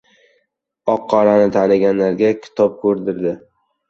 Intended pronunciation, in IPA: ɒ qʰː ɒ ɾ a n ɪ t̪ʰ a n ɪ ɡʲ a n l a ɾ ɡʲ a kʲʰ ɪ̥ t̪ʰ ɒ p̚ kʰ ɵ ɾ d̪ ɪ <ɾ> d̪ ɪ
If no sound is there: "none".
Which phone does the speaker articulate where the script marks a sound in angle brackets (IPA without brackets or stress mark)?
ɾ